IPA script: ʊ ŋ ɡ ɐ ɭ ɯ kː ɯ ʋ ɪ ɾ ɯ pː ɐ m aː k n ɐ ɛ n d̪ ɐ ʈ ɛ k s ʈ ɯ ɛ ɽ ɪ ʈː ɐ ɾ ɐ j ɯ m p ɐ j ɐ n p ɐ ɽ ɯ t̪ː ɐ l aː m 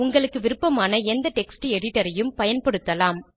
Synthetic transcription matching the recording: ʊ ŋ ɡ ɐ ɭ ɯ kː ɯ ʋ ɪ ɾ ɯ pː ɐ m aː n ɐ ɛ n d̪ ɐ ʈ ɛ k s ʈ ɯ ɛ ɽ ɪ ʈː ɐ ɾ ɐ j ɯ m p ɐ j ɐ n p ɐ ɽ ɯ t̪ː ɐ l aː m